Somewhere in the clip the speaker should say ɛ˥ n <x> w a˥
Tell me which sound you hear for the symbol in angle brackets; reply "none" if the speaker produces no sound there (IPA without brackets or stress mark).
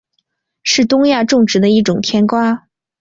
k